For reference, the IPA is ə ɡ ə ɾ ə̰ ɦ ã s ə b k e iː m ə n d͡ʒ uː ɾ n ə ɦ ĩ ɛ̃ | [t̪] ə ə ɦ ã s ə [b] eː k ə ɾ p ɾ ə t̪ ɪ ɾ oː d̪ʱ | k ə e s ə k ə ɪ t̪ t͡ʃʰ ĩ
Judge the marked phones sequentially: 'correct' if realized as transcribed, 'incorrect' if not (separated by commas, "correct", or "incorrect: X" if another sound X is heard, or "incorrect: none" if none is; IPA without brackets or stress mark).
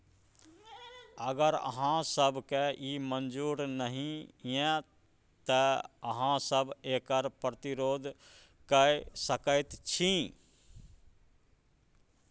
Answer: correct, correct